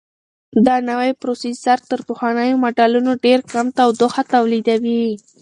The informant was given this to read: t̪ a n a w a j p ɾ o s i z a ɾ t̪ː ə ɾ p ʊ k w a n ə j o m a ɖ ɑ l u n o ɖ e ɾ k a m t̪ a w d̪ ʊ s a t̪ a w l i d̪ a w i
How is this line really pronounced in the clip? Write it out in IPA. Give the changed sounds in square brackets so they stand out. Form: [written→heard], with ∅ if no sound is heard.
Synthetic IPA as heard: [t̪→d̪] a n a w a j p ɾ o s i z a ɾ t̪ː ə ɾ p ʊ [k→x] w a n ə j o m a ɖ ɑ l u n o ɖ e ɾ k a m t̪ a w d̪ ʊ [s→x] a t̪ a w l i d̪ a w i